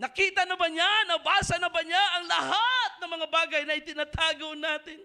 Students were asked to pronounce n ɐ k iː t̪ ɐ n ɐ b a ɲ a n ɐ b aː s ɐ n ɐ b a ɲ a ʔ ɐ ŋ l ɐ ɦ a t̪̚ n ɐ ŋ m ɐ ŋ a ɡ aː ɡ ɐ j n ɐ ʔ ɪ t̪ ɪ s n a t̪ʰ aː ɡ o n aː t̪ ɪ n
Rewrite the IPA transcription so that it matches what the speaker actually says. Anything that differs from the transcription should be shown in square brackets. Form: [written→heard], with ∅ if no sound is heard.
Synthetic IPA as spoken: n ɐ k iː t̪ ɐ n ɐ b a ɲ a n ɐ b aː s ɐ n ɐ b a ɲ a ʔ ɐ ŋ l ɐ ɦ a t̪̚ n ɐ ŋ m ɐ ŋ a [ɡ→b] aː ɡ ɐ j n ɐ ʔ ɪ t̪ ɪ [s→∅] n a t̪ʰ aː ɡ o n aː t̪ ɪ n